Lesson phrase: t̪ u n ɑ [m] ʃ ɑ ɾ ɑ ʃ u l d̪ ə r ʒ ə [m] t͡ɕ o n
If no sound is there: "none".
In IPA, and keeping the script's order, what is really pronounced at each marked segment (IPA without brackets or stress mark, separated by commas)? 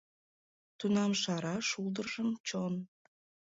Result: m, m